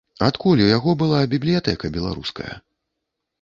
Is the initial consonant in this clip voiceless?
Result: yes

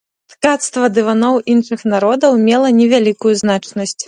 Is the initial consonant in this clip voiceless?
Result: yes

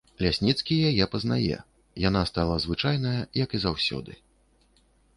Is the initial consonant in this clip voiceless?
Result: no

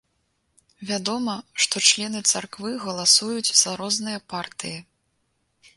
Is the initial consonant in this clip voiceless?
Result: no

